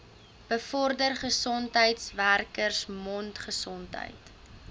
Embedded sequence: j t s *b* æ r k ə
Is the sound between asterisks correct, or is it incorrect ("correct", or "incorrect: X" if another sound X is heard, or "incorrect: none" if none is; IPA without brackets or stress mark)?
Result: incorrect: v